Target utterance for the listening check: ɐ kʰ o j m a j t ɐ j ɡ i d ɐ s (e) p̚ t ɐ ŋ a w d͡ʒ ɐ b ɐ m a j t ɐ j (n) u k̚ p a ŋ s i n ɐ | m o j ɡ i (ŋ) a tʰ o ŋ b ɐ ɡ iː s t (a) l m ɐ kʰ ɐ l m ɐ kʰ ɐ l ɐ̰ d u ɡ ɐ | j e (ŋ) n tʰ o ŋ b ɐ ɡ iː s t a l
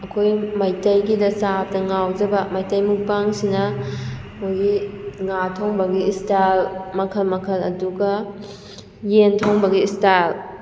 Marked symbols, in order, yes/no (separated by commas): no, no, yes, yes, no